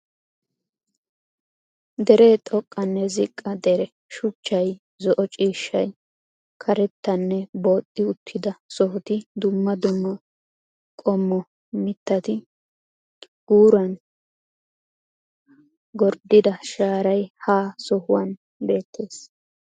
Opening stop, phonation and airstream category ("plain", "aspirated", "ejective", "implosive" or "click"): plain